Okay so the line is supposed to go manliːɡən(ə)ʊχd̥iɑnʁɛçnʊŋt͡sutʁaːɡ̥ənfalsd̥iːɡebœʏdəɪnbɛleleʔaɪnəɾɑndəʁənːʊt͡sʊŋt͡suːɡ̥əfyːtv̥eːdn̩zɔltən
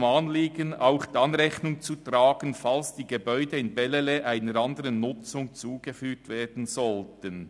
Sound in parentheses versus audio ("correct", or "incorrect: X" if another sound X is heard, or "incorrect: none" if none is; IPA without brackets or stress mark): incorrect: a